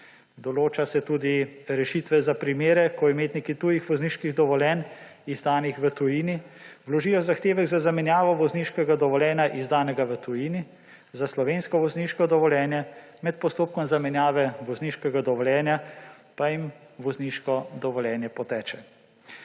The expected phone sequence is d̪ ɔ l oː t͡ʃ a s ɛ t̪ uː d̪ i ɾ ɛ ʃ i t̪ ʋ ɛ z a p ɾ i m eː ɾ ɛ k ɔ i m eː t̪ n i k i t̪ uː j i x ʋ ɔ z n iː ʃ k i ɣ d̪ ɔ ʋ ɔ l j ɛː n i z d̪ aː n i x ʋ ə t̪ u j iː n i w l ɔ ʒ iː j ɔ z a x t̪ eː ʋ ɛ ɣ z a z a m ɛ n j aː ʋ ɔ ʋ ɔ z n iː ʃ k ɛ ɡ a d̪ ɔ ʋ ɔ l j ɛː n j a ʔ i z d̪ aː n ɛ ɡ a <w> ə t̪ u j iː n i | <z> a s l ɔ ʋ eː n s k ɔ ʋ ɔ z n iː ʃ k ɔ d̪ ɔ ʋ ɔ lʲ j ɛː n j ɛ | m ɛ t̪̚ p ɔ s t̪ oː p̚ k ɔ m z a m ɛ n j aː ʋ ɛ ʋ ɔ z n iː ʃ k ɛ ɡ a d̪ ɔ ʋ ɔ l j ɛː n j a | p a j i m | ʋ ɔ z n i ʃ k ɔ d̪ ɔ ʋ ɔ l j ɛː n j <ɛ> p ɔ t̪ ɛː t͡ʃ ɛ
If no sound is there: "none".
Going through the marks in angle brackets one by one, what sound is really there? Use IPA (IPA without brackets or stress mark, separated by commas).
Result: ʋ, z, ɛ